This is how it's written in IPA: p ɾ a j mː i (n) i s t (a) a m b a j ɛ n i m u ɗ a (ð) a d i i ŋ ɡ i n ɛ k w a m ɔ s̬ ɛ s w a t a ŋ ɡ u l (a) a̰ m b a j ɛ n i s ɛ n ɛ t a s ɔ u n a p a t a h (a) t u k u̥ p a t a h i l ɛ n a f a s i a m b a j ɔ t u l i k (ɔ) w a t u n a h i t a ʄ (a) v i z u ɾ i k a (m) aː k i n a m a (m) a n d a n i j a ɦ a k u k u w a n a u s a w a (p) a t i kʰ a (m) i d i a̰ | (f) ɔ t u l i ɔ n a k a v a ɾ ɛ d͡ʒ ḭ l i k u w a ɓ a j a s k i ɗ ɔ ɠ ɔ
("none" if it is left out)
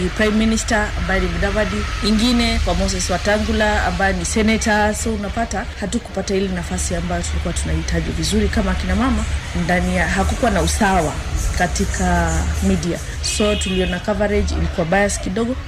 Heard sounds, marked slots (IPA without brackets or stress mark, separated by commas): n, a, v, a, a, u, i, m, m, k, m, s